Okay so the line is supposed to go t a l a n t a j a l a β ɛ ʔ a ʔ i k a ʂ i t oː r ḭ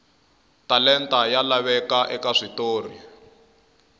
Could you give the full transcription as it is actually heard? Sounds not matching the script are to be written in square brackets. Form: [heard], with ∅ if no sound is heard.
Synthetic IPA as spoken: t a l [ɛ] n t a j a l a β ɛ [k] a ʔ [ɛ] k a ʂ i t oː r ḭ